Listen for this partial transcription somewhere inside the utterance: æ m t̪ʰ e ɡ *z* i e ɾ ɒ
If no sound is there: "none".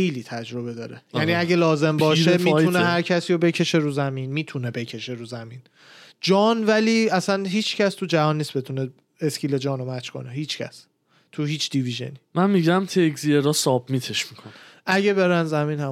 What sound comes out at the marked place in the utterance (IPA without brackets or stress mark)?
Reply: z